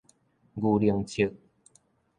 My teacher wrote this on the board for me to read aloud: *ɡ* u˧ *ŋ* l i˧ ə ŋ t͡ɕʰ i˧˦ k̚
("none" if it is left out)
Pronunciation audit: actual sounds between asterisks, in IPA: ɡ, none

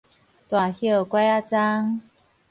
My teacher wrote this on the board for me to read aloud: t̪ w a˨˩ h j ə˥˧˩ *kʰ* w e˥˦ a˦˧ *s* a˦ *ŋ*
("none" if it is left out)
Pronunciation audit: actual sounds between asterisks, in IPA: k, t͡s, ŋ

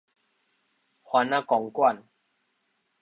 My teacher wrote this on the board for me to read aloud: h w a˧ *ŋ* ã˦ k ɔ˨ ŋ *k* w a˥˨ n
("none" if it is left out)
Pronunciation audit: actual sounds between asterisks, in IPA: n, k

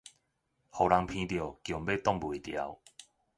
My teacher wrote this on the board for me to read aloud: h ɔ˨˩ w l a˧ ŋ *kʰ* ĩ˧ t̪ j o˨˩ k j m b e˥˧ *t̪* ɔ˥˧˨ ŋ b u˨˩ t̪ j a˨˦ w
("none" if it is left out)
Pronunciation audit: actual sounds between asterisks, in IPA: pʰ, t̪

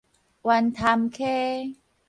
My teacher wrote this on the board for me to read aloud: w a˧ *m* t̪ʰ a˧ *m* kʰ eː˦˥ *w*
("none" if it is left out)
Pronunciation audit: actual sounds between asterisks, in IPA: n, m, none

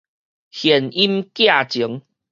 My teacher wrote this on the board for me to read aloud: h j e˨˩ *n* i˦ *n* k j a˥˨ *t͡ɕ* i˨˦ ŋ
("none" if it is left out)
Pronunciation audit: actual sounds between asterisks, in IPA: n, m, t͡ɕ

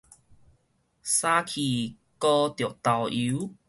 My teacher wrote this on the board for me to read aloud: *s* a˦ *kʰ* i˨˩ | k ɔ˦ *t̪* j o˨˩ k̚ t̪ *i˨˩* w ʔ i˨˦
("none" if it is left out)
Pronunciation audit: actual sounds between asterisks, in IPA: s, kʰ, t̪, a˨˩

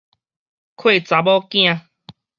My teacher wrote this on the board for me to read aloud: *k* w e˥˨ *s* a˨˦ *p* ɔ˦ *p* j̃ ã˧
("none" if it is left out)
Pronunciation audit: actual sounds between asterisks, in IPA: kʰ, t͡s, b, k

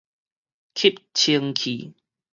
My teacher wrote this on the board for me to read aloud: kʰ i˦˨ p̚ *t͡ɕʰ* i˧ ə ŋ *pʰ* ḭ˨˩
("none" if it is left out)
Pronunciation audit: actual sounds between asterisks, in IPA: t͡ɕʰ, kʰ

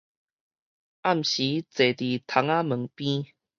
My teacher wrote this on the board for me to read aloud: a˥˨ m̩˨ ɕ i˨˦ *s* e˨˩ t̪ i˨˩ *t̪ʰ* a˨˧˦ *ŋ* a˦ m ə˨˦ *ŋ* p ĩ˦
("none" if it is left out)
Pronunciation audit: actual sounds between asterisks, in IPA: t͡s, t̪ʰ, ŋ, ŋ

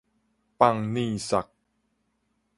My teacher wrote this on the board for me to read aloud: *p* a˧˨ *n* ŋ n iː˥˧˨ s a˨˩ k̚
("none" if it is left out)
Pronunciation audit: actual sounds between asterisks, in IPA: p, none

